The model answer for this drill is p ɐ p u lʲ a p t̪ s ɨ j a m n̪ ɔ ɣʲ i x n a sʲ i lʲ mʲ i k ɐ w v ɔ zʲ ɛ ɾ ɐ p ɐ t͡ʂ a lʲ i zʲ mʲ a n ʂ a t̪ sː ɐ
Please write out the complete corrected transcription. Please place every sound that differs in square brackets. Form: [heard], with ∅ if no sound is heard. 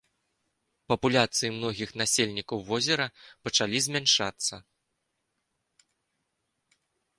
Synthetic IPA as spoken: p ɐ p u lʲ a [∅] t̪ s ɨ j [i] m n̪ ɔ ɣʲ i x n a sʲ [e] lʲ [nʲ] i k ɐ w v ɔ zʲ ɛ ɾ ɐ p ɐ t͡ʂ a lʲ i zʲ mʲ a n ʂ a t̪ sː ɐ